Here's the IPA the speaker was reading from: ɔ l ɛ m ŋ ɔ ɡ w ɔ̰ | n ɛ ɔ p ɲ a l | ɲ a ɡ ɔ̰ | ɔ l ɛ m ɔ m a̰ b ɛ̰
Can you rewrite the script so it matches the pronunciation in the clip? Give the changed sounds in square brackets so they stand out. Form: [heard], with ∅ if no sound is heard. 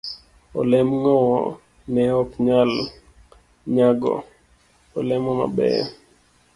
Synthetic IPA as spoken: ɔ l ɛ m ŋ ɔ [∅] w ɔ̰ | n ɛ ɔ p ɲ a l | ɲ a ɡ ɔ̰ | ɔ l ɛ m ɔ m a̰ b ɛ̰